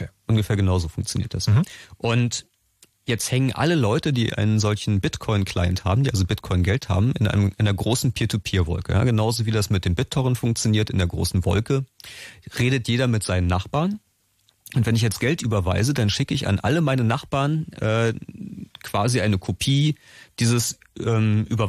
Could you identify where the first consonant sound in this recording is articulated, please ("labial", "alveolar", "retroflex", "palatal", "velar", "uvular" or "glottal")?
glottal